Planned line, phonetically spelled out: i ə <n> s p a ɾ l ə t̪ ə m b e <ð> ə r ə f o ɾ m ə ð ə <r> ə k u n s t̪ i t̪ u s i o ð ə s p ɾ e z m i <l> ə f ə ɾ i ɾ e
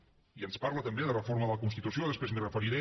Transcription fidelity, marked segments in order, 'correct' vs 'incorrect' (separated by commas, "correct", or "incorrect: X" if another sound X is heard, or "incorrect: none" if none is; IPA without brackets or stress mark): correct, correct, incorrect: l, incorrect: r